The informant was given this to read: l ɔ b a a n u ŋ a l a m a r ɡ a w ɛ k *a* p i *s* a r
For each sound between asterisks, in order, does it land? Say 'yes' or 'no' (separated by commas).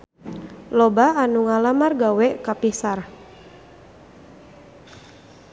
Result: yes, yes